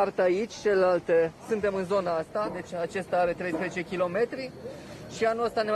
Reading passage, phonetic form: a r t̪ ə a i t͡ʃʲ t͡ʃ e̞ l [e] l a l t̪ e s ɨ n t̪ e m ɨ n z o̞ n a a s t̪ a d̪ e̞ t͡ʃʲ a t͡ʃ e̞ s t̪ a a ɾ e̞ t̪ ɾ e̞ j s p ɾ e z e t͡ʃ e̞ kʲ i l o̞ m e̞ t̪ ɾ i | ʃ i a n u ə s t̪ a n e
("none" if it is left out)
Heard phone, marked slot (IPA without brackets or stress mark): e